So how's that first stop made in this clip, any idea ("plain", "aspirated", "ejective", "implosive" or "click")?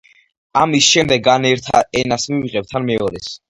plain